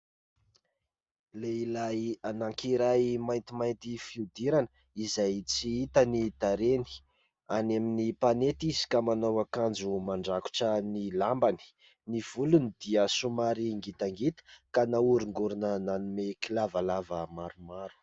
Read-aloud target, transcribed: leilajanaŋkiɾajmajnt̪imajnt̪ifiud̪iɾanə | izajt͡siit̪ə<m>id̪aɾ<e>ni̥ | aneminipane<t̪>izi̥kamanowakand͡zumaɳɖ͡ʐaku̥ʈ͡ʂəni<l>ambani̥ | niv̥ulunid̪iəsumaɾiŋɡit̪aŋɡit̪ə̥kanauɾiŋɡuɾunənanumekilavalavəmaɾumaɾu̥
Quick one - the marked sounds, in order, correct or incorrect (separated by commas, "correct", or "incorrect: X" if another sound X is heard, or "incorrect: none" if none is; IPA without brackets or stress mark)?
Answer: incorrect: n, correct, correct, correct